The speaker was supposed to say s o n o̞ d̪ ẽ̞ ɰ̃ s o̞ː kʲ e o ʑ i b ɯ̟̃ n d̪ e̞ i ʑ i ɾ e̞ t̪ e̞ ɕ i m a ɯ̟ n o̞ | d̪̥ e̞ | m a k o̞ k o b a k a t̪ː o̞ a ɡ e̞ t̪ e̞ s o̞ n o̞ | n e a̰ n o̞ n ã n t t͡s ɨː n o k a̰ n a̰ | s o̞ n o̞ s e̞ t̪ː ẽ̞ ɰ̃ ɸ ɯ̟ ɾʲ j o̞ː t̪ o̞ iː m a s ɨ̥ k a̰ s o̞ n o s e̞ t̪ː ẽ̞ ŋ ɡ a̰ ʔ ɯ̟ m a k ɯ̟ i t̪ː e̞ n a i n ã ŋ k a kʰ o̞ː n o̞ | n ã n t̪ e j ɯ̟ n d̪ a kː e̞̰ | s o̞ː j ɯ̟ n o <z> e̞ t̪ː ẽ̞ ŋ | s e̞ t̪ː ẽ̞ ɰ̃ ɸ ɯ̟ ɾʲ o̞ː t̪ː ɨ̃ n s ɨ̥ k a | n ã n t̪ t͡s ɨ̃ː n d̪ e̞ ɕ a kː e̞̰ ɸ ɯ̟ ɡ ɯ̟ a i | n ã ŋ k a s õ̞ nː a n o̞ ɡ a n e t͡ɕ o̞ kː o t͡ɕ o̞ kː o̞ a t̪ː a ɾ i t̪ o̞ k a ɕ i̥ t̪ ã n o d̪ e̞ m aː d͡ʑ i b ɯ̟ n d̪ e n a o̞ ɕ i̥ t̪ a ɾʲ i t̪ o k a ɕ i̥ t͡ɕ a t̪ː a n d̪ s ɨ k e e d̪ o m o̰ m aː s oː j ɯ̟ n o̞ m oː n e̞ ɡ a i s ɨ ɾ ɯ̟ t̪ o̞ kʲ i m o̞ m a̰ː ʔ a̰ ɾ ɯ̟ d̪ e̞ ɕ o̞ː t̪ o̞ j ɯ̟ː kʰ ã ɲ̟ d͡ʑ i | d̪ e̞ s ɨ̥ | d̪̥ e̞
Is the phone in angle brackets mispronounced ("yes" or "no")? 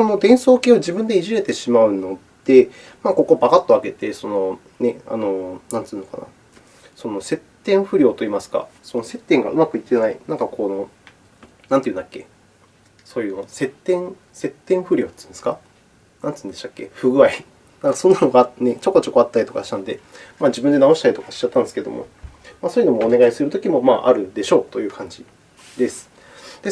yes